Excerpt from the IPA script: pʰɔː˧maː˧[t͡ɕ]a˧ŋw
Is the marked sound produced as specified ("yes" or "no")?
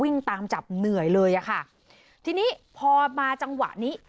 yes